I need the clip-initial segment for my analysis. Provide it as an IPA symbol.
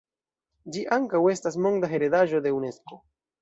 d͡ʒ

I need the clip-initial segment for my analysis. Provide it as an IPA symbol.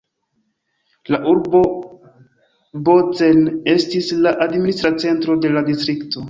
l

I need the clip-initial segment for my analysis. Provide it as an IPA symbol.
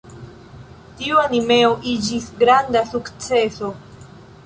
t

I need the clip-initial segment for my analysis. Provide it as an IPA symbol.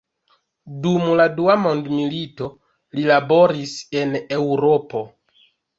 d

